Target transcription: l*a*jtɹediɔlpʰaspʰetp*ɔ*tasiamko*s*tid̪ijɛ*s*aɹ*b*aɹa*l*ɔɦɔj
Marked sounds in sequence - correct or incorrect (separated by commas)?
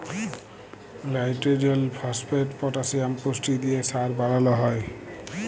correct, correct, correct, correct, correct, correct